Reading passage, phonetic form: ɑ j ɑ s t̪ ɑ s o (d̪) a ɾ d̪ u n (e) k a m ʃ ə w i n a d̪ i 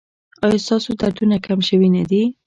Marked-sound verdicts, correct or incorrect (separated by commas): correct, incorrect